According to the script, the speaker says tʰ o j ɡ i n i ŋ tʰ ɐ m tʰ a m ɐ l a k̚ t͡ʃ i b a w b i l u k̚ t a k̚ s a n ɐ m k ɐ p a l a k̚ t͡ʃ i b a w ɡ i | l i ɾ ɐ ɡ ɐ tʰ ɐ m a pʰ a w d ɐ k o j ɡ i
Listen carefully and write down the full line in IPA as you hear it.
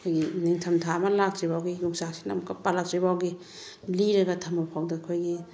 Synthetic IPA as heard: kʰ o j ɡ i n i ŋ tʰ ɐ m tʰ a m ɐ l a k̚ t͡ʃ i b a w ɡ i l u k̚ s a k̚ s i n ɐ m k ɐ p a l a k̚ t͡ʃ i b a w ɡ i | l i ɾ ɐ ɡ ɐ tʰ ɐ m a pʰ a w d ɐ kʰ o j ɡ i